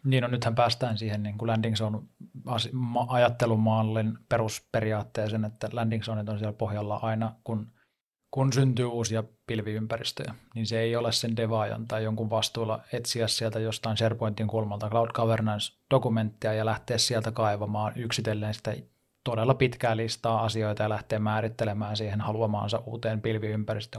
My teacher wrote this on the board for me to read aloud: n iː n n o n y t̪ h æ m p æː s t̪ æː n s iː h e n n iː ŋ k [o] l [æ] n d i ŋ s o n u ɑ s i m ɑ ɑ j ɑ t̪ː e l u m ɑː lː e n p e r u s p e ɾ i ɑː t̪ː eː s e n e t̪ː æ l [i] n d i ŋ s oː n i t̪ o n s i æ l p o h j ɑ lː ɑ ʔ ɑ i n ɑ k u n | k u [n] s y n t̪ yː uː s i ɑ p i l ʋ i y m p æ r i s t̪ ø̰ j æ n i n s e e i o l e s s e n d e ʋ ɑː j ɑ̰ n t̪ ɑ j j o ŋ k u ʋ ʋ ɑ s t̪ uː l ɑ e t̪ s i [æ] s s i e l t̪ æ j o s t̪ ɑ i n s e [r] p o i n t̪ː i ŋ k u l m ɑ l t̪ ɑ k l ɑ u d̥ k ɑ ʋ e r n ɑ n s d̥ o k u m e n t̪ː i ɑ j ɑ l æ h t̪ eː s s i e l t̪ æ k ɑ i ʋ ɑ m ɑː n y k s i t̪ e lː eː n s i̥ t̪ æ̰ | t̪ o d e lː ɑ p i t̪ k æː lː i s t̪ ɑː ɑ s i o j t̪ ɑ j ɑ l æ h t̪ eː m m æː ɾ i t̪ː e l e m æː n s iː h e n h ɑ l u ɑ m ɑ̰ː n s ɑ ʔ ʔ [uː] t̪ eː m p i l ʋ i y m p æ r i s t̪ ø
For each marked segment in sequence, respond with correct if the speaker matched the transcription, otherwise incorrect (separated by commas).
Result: incorrect, correct, incorrect, correct, correct, correct, correct